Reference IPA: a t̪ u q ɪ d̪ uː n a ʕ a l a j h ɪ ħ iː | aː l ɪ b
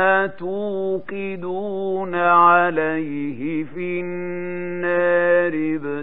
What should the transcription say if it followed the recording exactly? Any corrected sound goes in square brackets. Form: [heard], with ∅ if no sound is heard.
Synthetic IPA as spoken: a t̪ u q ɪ d̪ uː n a ʕ a l a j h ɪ [f] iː | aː [ɾ] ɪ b